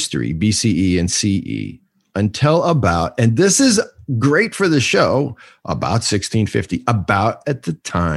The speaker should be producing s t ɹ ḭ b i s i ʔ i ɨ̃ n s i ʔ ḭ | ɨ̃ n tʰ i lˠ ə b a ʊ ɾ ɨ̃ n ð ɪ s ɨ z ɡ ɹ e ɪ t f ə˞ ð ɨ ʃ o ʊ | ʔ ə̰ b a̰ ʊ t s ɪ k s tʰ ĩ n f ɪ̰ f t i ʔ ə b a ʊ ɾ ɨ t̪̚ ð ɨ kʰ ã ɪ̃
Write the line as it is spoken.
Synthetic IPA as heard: s t ɹ ḭ b i s i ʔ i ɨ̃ n s i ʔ ḭ | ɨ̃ n tʰ ɪ lˠ ə b a ʊ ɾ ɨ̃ n ð ɪ s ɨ z ɡ ɹ e ɪ t f ə˞ ð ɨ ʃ o ʊ | ʔ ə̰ b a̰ ʊ t s ɪ k s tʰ ĩ n f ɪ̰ f t i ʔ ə b a ʊ ɾ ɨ t̪̚ ð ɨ tʰ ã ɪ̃